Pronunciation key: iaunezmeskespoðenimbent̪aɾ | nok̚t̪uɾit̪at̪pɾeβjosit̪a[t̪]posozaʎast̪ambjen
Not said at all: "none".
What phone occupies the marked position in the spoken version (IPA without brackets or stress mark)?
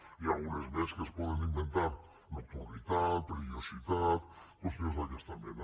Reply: t̪